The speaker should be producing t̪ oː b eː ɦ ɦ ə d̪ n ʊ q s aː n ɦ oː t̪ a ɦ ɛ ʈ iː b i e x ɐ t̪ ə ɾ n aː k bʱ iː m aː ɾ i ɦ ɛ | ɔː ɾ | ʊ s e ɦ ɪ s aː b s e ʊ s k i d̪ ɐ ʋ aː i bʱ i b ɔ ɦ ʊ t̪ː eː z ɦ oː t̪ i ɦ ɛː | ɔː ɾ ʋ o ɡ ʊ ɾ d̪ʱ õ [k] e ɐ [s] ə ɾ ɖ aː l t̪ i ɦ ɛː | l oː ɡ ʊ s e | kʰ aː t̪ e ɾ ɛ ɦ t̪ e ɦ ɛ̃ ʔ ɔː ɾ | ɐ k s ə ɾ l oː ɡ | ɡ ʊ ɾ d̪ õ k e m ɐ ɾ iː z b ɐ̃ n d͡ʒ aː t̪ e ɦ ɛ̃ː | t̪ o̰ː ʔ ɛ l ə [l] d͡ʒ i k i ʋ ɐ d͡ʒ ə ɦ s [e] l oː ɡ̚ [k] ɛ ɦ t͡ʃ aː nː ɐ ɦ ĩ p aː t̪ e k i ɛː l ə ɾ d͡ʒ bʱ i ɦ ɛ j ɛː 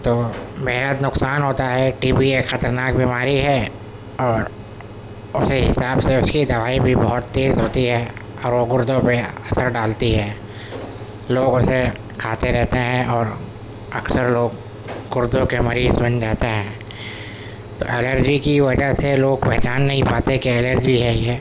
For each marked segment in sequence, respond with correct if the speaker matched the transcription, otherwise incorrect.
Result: incorrect: p, correct, incorrect: ɾ, correct, incorrect: p

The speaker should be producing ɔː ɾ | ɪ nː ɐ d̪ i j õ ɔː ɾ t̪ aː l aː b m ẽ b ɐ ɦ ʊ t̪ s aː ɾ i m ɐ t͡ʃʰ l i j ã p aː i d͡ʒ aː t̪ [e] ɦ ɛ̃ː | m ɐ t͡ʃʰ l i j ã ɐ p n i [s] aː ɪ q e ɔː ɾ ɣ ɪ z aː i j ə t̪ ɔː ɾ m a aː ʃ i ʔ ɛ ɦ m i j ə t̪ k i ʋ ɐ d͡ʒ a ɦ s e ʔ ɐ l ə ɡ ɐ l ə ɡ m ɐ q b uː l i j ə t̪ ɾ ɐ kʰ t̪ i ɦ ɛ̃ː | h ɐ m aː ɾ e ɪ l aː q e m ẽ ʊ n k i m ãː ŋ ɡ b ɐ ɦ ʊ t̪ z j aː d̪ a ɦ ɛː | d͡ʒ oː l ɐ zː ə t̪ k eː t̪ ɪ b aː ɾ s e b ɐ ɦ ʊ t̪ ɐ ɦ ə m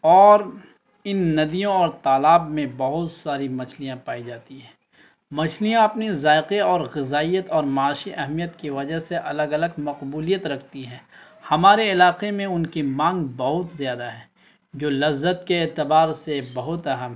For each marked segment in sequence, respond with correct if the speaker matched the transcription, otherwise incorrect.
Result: incorrect: i, incorrect: z

